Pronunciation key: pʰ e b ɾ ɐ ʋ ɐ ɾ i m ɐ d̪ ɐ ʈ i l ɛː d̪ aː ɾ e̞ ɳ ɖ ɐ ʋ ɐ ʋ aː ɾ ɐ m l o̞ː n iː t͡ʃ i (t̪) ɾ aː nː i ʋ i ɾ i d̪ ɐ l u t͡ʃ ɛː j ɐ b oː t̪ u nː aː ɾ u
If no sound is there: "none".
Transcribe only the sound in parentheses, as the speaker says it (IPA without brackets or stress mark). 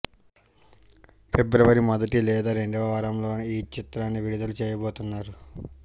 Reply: t̪